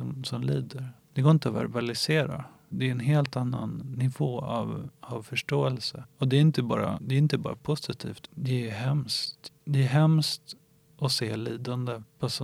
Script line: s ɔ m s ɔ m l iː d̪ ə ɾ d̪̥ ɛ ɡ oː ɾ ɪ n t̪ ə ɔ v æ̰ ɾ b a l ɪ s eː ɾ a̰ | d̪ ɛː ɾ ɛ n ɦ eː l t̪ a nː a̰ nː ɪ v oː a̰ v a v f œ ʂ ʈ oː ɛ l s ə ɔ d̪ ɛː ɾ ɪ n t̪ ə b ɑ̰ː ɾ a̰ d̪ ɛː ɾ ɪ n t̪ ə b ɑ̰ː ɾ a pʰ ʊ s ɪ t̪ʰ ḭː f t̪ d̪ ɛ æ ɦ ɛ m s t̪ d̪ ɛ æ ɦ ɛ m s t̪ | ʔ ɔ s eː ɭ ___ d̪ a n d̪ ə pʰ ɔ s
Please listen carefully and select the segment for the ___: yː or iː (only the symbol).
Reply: iː